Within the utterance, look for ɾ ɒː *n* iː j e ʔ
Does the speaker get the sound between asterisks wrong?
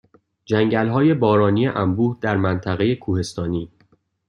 no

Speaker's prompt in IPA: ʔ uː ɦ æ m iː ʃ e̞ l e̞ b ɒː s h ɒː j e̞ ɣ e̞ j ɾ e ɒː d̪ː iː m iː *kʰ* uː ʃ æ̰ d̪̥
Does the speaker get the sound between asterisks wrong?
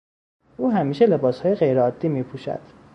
yes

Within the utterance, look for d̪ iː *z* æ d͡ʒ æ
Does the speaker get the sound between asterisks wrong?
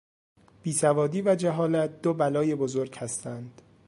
yes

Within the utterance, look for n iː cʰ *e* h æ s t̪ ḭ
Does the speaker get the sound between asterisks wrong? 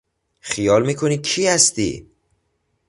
yes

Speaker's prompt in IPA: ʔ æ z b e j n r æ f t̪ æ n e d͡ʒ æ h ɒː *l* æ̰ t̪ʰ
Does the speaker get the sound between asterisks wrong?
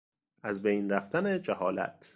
no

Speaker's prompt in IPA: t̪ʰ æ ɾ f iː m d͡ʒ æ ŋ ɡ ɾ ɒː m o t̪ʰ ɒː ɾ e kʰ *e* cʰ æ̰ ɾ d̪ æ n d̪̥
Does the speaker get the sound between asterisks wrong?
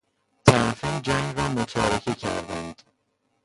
no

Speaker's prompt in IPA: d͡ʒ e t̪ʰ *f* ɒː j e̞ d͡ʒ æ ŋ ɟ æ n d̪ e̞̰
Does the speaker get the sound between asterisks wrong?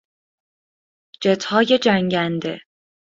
yes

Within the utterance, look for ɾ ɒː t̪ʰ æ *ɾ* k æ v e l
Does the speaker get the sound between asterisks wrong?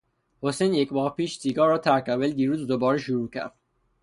no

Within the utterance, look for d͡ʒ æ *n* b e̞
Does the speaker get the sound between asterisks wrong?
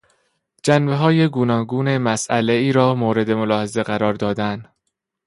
no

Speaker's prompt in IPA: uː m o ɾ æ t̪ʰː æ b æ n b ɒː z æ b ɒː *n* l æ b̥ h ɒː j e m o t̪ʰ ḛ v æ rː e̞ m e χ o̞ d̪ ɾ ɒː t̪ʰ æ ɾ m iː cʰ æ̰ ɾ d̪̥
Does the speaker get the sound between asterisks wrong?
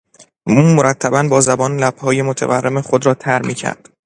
no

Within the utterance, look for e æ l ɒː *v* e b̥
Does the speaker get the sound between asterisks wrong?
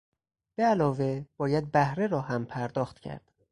no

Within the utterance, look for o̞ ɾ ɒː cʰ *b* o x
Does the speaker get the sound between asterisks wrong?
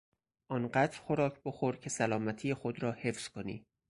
no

